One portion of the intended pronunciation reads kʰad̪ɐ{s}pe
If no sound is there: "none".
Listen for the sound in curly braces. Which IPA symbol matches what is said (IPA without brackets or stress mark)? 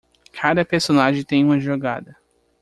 none